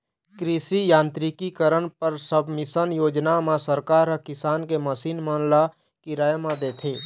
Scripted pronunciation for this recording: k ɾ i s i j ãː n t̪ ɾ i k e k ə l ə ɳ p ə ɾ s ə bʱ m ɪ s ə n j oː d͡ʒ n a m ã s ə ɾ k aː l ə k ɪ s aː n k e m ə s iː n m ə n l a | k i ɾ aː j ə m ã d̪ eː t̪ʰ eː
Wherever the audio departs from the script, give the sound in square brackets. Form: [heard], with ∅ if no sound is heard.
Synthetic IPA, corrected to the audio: k ɾ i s i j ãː n t̪ ɾ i k [i] k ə [ɾ] ə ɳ p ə ɾ s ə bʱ m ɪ s ə n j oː d͡ʒ n a m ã s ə ɾ k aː [ɾ] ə k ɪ s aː n k e m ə s iː n m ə n l a | k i ɾ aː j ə m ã d̪ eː t̪ʰ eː